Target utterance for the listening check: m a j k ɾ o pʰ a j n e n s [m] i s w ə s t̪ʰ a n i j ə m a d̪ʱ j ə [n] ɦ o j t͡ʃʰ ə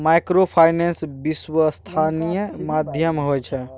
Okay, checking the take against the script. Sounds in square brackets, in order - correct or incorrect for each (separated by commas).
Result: incorrect, incorrect